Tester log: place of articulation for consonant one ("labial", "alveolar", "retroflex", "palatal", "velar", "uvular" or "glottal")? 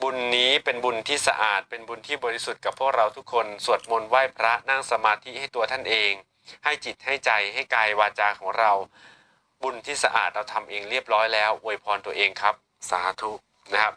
labial